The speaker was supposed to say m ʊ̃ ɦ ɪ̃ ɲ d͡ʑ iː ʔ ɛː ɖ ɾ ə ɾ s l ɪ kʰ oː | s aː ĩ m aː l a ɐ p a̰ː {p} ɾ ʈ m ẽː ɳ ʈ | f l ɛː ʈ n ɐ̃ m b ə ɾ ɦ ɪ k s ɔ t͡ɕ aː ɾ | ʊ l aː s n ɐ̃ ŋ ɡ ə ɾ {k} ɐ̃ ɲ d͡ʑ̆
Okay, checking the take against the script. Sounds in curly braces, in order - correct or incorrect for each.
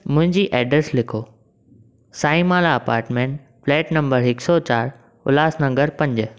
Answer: incorrect: none, incorrect: p

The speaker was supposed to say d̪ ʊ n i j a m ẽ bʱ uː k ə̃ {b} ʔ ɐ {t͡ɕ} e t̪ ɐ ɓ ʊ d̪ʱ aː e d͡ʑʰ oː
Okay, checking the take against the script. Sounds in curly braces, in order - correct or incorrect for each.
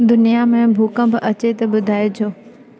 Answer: correct, correct

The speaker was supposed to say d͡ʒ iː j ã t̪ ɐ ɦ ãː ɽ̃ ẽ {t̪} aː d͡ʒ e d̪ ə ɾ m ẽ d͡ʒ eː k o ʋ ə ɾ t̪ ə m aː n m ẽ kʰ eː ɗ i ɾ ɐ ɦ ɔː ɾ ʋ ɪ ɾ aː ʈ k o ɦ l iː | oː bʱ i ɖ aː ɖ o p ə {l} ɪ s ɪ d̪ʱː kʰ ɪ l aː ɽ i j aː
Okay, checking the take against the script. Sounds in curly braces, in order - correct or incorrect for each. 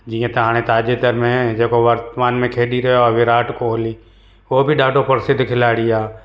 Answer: correct, incorrect: ɾ

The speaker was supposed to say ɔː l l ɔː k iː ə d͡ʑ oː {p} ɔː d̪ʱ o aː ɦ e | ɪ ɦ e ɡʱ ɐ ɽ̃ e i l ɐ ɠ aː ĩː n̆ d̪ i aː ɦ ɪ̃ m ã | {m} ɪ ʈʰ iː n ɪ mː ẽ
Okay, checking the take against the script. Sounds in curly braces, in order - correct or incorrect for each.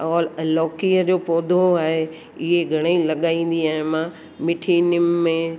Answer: correct, correct

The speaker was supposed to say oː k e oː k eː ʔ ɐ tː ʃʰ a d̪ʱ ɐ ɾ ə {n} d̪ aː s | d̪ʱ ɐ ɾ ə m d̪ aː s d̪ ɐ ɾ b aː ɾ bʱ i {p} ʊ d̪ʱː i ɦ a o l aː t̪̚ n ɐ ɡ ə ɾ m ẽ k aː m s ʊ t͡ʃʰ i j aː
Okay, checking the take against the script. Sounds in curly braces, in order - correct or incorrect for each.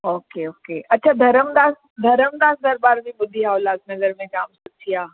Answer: incorrect: m, incorrect: b

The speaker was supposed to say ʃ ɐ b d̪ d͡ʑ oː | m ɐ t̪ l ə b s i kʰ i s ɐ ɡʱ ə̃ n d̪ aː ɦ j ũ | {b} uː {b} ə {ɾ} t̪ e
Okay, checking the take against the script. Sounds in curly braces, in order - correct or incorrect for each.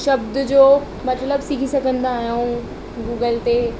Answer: incorrect: ɡ, incorrect: ɡ, incorrect: l

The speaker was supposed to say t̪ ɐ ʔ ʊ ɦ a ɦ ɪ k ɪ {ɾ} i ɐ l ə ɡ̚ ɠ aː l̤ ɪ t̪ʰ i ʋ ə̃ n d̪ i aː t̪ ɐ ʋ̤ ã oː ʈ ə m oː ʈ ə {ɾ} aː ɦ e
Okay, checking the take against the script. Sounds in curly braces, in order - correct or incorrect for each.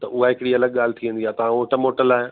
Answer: incorrect: ɽ, incorrect: l

